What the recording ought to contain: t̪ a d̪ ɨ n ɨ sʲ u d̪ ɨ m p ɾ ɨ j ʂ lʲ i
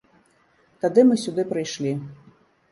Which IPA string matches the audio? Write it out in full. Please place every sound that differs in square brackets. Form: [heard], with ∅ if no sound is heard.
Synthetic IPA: t̪ a d̪ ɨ [m] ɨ sʲ u d̪ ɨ [∅] p ɾ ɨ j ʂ lʲ i

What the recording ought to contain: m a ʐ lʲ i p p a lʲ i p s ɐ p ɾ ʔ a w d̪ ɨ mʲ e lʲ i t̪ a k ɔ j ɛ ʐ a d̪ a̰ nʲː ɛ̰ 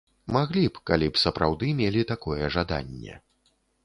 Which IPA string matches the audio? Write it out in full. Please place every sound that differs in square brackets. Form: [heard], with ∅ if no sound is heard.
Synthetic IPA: m a [ɣ] lʲ i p [k] a lʲ i p s ɐ p ɾ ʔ a w d̪ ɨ mʲ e lʲ i t̪ a k ɔ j ɛ ʐ a d̪ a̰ nʲː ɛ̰

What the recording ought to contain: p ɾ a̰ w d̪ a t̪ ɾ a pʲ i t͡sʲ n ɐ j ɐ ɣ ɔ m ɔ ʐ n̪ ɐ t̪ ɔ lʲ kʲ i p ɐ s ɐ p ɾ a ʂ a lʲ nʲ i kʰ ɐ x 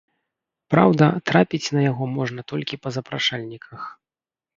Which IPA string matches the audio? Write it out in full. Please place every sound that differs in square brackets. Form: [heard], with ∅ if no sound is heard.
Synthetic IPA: p ɾ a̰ w d̪ [ɐ] t̪ ɾ a pʲ i t͡sʲ n ɐ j [a] ɣ ɔ m ɔ ʐ n̪ ɐ t̪ ɔ lʲ kʲ i p ɐ [z] ɐ p ɾ a ʂ a lʲ nʲ i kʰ ɐ x

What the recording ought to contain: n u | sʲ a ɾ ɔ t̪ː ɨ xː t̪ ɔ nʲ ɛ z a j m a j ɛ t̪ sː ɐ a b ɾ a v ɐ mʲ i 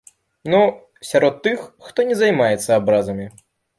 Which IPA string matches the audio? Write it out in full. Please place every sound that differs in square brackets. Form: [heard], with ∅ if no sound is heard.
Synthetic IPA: n u | sʲ a ɾ ɔ t̪ː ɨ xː t̪ ɔ nʲ ɛ z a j m a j ɛ t̪ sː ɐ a b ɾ a [z] ɐ mʲ i

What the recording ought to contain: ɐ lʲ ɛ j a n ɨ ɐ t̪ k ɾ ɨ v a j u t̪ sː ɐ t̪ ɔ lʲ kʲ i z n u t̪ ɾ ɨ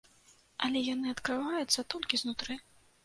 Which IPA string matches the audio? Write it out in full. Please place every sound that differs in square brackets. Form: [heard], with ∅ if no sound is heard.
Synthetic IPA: ɐ lʲ ɛ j a n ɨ ɐ t̪ k ɾ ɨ v a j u t̪ sː ɐ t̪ ɔ lʲ kʲ i z n u t̪ ɾ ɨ

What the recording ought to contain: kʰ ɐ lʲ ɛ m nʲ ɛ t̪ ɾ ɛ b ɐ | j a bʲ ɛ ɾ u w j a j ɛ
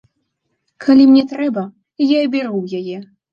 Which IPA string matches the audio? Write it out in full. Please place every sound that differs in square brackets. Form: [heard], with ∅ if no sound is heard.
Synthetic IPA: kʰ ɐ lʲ [i] m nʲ ɛ t̪ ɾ ɛ b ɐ | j a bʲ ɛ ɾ u w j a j ɛ

